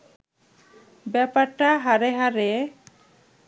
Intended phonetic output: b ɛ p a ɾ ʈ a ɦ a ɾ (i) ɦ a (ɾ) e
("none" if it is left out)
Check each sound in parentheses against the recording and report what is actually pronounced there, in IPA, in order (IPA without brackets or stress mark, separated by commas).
e, ɾ